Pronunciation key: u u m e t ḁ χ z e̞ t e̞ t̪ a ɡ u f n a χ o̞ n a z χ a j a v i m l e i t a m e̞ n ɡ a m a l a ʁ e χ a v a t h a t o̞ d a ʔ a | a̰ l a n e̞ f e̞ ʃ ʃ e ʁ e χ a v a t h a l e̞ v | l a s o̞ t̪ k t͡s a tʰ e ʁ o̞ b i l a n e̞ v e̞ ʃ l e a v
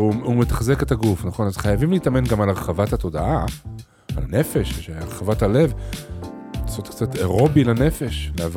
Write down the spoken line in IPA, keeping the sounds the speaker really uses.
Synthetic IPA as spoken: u u m e t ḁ χ z e̞ k e̞ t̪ a ɡ u f n a χ o̞ n a z χ a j a v i m l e i t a m e̞ n ɡ a m a l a ʁ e χ a v a t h a t o̞ d a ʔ a | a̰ l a n e̞ f e̞ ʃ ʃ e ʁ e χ a v a t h a l e̞ v | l a s o̞ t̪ k t͡s a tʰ e ʁ o̞ b i l a n e̞ f e̞ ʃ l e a v